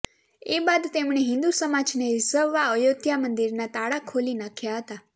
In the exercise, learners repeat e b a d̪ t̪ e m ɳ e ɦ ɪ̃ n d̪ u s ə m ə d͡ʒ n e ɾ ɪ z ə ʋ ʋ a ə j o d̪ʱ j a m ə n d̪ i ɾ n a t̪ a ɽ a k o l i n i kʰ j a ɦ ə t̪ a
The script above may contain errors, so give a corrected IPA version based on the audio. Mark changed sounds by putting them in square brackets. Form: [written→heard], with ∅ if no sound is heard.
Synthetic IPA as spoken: e b a d̪ t̪ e m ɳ e ɦ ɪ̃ n d̪ u s ə m [ə→a] d͡ʒ n e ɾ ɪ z ə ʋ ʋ a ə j o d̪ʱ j a m ə n d̪ i ɾ n a t̪ a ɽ a [k→kʰ] o l i n [i→a] kʰ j a ɦ ə t̪ a